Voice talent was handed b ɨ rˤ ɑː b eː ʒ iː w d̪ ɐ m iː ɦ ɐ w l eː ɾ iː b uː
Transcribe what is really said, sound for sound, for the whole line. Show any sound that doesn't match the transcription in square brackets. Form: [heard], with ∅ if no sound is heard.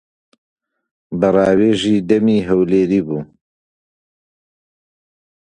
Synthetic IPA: b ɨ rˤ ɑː [w] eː ʒ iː [∅] d̪ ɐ m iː ɦ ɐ w l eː ɾ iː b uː